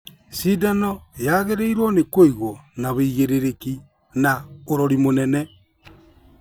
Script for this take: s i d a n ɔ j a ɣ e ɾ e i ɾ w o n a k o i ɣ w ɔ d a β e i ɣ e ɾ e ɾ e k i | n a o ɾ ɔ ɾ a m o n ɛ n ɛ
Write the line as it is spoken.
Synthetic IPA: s i d a n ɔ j a ɣ e ɾ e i ɾ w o n e k o i ɣ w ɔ n a β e i ɣ e ɾ e ɾ e k i | n a o ɾ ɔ ɾ i m o n ɛ n ɛ